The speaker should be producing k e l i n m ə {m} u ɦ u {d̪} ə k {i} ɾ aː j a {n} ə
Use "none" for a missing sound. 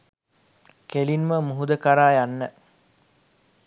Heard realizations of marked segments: m, d̪, a, nː

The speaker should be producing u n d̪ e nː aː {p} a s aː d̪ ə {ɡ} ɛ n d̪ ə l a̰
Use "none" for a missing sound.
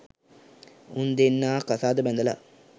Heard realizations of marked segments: k, b

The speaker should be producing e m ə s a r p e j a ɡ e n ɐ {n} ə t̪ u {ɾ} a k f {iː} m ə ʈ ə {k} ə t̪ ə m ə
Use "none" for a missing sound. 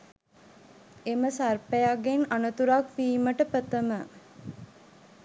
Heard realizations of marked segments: n, ɾ, iː, p

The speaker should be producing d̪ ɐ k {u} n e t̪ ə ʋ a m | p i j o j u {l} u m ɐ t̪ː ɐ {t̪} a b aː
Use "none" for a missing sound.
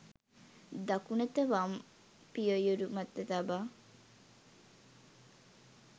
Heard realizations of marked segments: u, ɾ, t̪

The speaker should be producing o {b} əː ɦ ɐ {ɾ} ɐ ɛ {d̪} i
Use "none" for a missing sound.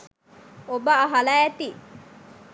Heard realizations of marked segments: b, l, t̪

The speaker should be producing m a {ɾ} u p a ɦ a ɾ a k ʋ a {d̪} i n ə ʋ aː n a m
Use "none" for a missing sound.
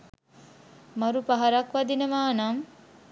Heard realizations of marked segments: ɾ, d̪

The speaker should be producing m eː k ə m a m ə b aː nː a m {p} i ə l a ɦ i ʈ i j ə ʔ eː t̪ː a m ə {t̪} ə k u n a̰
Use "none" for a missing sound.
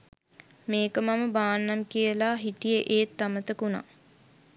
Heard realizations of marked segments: k, t̪

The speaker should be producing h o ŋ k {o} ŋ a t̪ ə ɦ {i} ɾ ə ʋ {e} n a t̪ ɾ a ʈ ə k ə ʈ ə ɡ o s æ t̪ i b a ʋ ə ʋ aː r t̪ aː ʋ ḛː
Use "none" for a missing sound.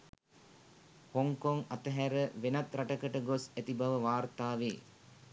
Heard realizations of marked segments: o, æ, e

